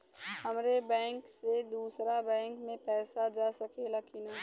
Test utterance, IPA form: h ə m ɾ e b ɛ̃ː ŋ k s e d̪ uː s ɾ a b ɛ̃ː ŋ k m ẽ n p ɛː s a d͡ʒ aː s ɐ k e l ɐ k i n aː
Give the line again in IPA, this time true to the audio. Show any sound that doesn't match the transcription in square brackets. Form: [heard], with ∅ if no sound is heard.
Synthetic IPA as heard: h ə m ɾ e b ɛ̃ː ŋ k s e d̪ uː s ɾ a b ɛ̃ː ŋ k m ẽ [∅] p ɛː s a d͡ʒ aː s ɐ k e l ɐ k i n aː

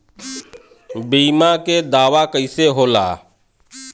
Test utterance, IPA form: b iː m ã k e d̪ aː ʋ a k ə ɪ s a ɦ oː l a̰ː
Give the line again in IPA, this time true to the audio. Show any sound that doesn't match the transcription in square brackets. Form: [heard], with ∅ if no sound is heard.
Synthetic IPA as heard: b iː m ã k e d̪ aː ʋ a k ə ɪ s [e] ɦ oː l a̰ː

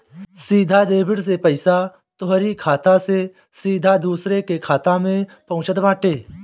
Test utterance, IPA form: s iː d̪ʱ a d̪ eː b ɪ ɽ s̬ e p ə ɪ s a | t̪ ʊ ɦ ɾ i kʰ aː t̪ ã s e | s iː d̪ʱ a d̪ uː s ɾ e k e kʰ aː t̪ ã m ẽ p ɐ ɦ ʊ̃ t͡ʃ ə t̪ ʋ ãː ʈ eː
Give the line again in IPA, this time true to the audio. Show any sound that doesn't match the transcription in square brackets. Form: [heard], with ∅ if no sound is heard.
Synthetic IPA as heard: s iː d̪ʱ a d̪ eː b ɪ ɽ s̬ e p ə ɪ s a | t̪ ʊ ɦ ɾ i kʰ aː t̪ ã s e | s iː d̪ʱ a d̪ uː s ɾ e k e kʰ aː t̪ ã m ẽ p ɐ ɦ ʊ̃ t͡ʃ ə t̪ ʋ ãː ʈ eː

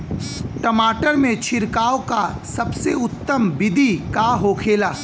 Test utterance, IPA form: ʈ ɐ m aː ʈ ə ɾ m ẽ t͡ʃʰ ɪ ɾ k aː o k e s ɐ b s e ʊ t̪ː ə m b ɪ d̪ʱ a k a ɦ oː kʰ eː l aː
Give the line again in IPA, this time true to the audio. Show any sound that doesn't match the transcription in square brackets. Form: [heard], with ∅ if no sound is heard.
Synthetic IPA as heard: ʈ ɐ m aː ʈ ə ɾ m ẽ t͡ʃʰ ɪ ɾ k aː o k [a] s ɐ b s e ʊ t̪ː ə m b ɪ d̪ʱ [i] k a ɦ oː kʰ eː l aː

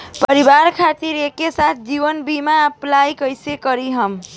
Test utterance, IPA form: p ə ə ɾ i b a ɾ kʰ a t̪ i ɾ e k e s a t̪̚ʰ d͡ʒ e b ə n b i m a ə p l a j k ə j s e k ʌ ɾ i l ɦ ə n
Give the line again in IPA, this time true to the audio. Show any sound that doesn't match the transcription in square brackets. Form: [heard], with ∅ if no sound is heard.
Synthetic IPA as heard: p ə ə ɾ i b a ɾ kʰ a t̪ i ɾ e k e s a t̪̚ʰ d͡ʒ [i] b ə n b i m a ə p l a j k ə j s e k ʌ ɾ i [∅] ɦ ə [m]

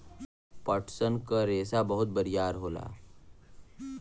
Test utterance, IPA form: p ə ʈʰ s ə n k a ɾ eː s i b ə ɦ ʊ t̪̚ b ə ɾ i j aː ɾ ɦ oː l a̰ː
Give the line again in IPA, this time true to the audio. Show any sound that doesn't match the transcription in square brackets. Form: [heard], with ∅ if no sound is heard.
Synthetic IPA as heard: p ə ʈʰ s ə n k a ɾ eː s [a] b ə ɦ ʊ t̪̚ b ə ɾ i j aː ɾ ɦ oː l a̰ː

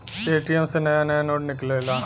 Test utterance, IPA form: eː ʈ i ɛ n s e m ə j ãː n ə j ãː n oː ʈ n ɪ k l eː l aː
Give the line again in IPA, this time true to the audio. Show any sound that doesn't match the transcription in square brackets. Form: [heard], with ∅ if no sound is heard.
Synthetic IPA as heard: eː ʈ i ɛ [m] s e [n] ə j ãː n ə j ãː n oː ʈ n ɪ k l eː l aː

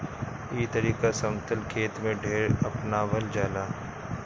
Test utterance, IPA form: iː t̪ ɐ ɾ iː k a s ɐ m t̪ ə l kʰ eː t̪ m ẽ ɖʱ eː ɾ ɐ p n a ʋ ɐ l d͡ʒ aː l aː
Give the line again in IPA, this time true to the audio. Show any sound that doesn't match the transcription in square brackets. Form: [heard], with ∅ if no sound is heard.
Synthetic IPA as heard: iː t̪ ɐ ɾ iː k a s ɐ m t̪ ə l kʰ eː t̪ m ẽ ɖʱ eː ɾ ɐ p n a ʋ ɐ l d͡ʒ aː l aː

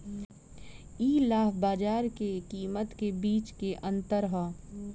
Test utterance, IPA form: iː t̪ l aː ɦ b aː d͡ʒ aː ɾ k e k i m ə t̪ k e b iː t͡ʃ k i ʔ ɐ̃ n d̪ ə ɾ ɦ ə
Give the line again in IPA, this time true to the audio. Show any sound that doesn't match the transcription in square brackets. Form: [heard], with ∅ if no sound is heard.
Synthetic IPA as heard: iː [∅] l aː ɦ b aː d͡ʒ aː ɾ k e k [iː] m ə t̪ k e b iː t͡ʃ k [e] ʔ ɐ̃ n [t̪] ə ɾ ɦ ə

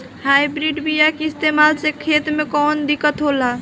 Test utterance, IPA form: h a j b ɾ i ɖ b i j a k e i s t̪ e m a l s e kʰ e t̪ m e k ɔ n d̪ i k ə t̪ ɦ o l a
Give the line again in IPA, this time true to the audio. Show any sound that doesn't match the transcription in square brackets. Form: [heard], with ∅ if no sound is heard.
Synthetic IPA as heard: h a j b ɾ i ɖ b i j a k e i s t̪ e m a l s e kʰ e t̪ m e k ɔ n d̪ i k ə t̪ ɦ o l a

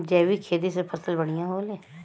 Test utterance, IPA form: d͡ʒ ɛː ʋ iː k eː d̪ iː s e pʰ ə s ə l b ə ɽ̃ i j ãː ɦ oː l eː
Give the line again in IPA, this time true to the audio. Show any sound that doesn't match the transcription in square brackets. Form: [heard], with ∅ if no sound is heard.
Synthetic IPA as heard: d͡ʒ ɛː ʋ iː [kʰ] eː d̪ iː s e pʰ ə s ə l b ə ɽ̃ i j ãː ɦ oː l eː

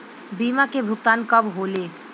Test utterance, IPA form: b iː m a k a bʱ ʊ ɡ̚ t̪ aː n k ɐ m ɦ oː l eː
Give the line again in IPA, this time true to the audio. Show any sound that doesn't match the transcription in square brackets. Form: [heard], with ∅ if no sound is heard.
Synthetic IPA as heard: b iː m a k [e] bʱ ʊ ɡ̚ t̪ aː n k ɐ [b] ɦ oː l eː

